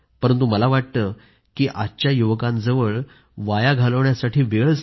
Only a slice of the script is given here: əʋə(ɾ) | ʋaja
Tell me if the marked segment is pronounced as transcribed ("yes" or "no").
no